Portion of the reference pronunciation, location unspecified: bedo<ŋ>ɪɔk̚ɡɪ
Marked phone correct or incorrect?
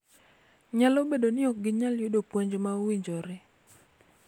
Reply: incorrect